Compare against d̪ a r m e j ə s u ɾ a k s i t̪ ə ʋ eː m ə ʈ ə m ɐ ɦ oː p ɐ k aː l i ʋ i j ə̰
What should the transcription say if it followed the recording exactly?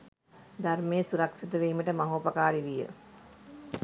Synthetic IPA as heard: d̪ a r m e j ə s u ɾ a k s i t̪ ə ʋ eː m ə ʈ ə m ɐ ɦ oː p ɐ k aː ɾ i ʋ i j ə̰